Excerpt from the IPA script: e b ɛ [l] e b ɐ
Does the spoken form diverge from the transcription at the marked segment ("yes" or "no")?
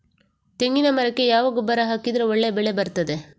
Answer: yes